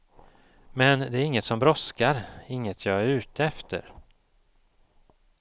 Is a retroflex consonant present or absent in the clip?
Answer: absent